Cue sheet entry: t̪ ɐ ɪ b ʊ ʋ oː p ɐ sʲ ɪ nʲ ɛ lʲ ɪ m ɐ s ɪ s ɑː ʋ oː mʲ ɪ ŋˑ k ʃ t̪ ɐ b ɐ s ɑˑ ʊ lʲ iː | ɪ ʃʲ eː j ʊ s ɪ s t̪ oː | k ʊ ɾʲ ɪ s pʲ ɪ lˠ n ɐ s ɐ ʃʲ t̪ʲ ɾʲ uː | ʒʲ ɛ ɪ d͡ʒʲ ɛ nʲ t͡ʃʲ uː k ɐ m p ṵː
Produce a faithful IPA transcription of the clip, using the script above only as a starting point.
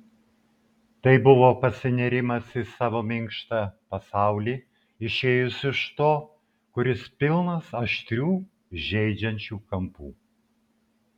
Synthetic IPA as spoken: t̪ ɐ ɪ b ʊ ʋ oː p ɐ sʲ ɪ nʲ ɛ ɾʲ ɪ m ɐ s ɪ s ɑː ʋ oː mʲ ɪ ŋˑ k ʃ t̪ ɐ p ɐ s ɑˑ ʊ lʲ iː | ɪ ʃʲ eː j ʊ s ɪ ʃ t̪ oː | k ʊ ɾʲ ɪ s pʲ ɪ lˠ n ɐ s ɐ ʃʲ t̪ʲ ɾʲ uː | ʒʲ ɛ ɪ d͡ʒʲ ɛ nʲ t͡ʃʲ uː k ɐ m p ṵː